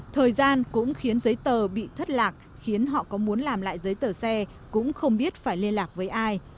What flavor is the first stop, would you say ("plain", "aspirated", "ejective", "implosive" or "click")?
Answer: aspirated